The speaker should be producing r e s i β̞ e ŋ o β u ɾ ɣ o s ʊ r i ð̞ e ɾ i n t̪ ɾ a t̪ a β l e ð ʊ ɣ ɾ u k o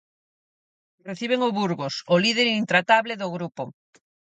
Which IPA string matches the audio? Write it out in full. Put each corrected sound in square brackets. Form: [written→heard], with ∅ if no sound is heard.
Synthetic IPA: r e [s→θ] i β̞ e ŋ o β u ɾ ɣ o s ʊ [r→l] i ð̞ e ɾ i n t̪ ɾ a t̪ a β l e ð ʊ ɣ ɾ u [k→p] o